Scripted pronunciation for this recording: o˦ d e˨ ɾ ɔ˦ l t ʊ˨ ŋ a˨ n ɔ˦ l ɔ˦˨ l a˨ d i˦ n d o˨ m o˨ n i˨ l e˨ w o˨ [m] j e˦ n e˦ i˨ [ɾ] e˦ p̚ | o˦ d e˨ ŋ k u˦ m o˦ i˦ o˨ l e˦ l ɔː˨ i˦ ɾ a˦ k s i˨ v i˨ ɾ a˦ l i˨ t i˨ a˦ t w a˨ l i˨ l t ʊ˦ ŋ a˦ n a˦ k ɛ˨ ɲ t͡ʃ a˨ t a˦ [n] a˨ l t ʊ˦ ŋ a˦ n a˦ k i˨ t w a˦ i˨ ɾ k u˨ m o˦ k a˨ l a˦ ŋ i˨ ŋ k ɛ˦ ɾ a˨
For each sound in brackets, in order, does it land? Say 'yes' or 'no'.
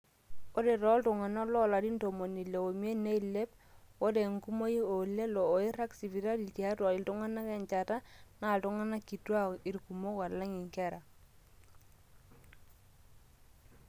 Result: yes, no, yes

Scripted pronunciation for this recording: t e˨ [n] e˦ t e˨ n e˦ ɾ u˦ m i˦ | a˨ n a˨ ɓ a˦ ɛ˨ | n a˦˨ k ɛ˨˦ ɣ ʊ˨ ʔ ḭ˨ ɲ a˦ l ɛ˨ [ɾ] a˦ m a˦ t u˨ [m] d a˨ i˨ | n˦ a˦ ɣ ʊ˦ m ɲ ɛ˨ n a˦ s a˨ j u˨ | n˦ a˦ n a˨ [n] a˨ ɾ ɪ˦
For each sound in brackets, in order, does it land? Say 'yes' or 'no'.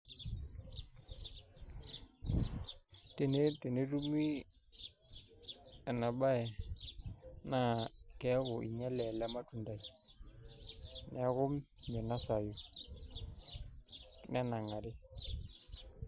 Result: yes, no, no, no

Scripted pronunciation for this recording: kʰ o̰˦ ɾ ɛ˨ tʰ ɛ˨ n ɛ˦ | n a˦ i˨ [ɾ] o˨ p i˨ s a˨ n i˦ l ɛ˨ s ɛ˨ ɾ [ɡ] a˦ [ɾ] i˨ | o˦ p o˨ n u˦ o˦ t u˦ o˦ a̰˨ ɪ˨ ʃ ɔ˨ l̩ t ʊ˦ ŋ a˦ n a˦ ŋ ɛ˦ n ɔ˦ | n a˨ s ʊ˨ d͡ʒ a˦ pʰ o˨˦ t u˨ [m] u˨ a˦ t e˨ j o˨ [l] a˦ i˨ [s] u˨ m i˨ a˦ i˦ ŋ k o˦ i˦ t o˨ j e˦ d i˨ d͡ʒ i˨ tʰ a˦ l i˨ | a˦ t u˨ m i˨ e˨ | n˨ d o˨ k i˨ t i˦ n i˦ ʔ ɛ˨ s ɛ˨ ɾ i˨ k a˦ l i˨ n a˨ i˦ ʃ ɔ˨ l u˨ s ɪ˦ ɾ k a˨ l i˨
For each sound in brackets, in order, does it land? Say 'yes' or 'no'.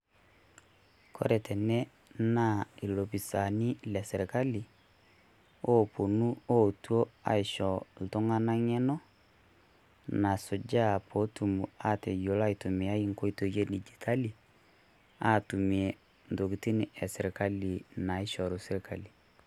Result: no, no, no, yes, yes, no

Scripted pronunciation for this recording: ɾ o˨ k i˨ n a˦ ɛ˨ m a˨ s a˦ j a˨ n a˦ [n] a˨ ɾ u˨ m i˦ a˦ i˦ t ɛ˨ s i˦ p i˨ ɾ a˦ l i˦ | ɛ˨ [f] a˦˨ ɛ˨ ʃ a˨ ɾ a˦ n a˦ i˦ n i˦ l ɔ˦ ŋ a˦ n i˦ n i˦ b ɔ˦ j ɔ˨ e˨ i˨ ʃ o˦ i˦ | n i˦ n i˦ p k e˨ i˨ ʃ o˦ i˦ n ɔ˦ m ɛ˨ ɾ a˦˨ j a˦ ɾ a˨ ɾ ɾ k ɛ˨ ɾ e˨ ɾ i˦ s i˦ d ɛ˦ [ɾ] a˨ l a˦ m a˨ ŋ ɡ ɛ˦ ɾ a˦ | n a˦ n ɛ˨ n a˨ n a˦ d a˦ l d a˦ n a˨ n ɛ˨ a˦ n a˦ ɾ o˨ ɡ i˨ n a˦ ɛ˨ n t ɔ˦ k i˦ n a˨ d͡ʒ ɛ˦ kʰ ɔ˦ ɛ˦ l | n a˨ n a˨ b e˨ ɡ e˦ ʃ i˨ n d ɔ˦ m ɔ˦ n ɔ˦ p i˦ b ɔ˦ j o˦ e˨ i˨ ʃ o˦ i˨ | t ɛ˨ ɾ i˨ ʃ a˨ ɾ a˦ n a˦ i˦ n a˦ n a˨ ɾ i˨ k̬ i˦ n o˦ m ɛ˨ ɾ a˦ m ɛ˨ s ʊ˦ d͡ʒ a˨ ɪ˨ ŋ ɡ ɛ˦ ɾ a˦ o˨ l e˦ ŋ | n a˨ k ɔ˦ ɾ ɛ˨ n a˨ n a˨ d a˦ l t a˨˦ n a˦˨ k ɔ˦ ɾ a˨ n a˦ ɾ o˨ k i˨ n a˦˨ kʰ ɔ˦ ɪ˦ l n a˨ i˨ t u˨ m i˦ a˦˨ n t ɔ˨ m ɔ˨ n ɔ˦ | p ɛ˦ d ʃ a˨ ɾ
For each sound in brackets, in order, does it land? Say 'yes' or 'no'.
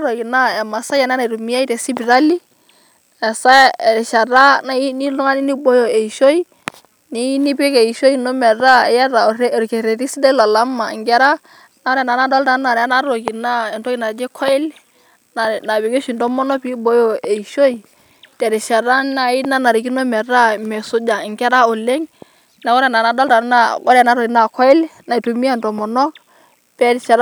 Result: yes, no, no

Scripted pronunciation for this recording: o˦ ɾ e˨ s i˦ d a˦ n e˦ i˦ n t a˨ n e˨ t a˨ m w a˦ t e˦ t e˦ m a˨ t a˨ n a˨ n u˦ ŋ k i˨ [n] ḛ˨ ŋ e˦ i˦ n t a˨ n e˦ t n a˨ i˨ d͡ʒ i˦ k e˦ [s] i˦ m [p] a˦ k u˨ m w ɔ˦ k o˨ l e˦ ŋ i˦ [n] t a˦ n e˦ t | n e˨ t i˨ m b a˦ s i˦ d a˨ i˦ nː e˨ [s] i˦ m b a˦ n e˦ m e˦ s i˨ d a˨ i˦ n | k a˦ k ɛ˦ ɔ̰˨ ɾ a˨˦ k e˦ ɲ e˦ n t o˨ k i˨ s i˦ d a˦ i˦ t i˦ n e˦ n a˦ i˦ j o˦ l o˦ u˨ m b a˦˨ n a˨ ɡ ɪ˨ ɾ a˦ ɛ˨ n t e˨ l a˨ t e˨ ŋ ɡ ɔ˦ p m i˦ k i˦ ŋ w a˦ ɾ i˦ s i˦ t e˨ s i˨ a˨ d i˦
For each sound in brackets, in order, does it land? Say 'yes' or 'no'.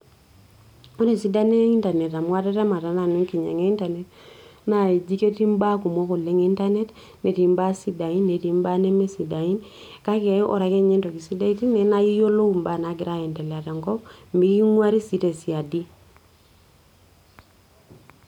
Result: no, no, no, yes, no

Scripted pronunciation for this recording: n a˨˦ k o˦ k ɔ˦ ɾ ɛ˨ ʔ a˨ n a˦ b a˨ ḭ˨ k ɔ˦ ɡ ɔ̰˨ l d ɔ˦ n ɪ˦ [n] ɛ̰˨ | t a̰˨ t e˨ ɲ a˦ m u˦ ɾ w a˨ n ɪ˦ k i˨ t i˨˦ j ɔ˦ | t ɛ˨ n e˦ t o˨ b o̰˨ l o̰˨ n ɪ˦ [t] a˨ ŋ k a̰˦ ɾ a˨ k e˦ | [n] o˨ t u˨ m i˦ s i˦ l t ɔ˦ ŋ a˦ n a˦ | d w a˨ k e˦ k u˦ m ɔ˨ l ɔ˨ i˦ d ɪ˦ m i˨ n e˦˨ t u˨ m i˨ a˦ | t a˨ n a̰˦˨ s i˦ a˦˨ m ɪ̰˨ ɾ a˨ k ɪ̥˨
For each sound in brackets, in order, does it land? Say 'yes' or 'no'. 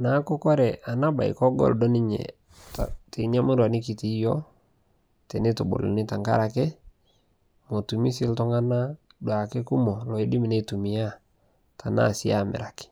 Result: no, yes, no

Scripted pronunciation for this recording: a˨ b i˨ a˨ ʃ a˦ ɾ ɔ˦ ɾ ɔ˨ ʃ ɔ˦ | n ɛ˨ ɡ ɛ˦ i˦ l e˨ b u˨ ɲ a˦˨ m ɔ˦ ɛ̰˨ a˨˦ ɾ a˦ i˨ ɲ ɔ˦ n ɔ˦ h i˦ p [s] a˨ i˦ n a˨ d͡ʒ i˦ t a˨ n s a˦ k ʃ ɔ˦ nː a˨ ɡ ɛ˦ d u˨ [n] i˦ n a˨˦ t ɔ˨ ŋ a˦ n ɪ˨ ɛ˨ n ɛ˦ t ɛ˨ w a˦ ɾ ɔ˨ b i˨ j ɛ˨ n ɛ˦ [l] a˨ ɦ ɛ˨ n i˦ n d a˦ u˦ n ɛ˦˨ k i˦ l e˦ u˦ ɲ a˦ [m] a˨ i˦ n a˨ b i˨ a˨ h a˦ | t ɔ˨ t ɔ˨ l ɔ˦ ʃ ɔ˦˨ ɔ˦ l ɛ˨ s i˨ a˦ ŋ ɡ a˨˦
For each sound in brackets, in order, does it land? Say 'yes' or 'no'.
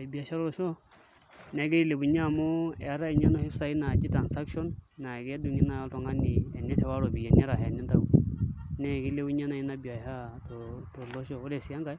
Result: yes, no, no, no

